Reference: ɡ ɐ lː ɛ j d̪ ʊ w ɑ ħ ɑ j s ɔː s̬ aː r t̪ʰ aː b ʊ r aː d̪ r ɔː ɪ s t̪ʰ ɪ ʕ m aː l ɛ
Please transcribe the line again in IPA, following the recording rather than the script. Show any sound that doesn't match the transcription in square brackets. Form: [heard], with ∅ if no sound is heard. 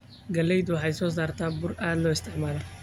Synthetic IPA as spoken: ɡ ɐ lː ɛ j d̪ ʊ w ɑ ħ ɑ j s ɔː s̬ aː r t̪ʰ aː b ʊ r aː d̪ [l] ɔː ɪ s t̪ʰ ɪ ʕ m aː l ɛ